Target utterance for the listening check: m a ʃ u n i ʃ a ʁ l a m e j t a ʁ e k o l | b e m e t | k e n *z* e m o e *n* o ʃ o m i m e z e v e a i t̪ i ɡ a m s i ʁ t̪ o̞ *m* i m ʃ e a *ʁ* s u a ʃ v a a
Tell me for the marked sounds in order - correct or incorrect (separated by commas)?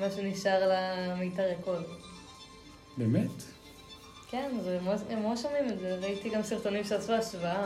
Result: correct, incorrect, incorrect, incorrect